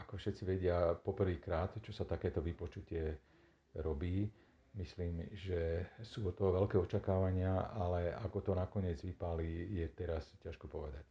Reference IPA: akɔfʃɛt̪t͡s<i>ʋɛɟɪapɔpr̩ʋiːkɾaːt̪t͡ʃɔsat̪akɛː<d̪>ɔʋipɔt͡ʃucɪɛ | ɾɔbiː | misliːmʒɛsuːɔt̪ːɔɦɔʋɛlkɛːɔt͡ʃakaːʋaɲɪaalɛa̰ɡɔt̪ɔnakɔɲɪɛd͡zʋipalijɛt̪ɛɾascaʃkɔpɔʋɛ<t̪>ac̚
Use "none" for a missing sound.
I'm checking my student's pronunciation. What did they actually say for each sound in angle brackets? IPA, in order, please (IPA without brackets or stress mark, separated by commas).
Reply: i, t̪, d̪